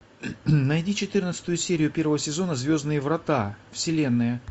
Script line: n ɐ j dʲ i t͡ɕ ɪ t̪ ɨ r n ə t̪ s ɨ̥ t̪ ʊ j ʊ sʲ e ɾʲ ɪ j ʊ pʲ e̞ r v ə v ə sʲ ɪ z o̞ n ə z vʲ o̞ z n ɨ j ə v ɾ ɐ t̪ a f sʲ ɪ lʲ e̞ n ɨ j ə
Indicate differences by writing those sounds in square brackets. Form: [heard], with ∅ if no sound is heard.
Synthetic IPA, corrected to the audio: n ɐ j dʲ i t͡ɕ ɪ t̪ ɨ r n ə t̪ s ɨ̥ t̪ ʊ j ʊ sʲ e ɾʲ ɪ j ʊ pʲ e̞ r v ə v ə sʲ ɪ z o̞ n ə z vʲ o̞ z n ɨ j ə v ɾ ɐ t̪ a f sʲ ɪ lʲ e̞ [nː] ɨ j ə